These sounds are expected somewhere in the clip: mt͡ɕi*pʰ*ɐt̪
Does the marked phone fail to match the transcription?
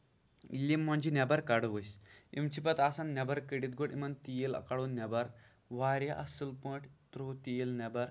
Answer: yes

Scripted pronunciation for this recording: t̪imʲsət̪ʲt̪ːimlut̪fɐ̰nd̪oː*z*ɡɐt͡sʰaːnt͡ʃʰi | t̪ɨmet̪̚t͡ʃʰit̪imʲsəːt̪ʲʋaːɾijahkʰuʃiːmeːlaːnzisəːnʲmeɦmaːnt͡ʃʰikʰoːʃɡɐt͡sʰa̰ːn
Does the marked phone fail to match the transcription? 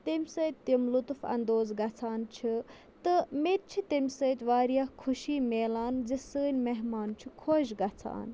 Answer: no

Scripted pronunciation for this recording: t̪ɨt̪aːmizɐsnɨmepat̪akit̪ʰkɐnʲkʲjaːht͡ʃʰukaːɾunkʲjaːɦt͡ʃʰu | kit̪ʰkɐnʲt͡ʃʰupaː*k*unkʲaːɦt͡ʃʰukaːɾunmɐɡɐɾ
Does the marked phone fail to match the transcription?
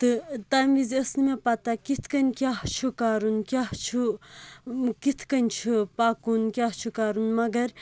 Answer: no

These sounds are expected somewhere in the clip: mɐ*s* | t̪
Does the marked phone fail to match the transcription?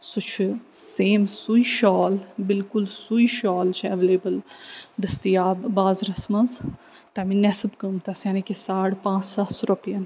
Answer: yes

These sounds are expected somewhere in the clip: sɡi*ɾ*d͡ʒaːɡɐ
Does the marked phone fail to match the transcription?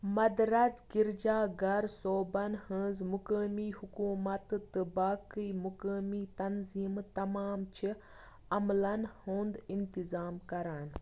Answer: no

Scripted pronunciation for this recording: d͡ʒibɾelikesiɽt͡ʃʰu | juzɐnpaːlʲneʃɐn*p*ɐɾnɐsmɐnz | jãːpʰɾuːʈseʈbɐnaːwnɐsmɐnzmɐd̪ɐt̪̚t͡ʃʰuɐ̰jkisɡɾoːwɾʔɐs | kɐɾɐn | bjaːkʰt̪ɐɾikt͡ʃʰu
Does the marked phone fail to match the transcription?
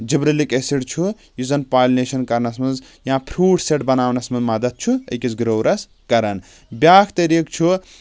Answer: yes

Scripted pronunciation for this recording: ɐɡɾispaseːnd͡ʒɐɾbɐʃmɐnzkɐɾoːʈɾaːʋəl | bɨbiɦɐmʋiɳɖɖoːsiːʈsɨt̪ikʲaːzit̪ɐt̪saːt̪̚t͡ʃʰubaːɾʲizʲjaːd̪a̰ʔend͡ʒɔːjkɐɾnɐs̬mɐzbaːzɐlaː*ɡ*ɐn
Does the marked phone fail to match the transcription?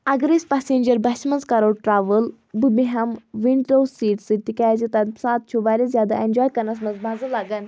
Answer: no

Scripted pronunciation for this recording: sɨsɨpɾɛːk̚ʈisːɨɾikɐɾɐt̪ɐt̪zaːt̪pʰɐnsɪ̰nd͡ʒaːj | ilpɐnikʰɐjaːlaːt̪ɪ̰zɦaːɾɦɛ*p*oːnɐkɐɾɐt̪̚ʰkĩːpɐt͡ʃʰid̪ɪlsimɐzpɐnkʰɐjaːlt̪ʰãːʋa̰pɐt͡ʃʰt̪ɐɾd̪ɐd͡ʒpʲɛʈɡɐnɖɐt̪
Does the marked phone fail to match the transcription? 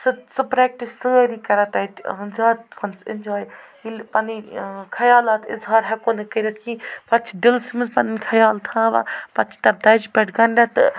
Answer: yes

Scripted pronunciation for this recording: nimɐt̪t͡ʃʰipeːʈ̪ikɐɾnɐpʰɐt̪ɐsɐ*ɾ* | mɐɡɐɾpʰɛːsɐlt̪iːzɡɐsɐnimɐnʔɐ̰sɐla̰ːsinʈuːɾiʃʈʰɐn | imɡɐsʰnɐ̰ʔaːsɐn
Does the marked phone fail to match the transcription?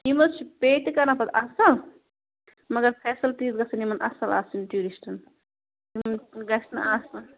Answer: yes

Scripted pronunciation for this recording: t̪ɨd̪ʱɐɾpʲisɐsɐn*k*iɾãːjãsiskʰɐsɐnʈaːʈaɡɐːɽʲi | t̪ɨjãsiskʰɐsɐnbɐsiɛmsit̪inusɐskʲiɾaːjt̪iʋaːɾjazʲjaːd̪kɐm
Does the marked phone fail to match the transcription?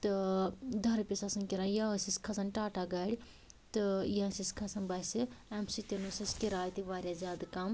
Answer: no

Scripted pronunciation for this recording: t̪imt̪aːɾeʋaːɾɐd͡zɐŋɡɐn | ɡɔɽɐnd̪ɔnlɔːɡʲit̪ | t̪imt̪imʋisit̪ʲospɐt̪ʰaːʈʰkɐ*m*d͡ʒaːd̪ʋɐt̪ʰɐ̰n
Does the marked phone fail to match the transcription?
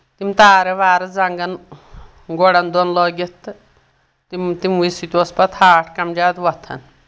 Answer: no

